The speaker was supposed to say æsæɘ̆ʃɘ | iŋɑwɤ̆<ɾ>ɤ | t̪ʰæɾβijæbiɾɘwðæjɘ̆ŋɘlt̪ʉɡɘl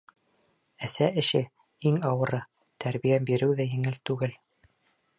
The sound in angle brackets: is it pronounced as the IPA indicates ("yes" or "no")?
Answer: yes